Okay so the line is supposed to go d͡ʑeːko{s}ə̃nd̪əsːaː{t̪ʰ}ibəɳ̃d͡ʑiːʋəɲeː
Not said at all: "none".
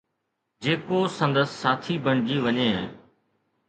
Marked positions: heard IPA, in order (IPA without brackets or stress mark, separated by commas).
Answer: s, t̪ʰ